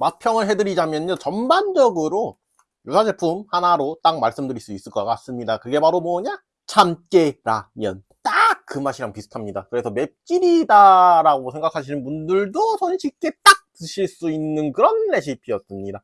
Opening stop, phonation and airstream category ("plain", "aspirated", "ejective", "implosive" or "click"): aspirated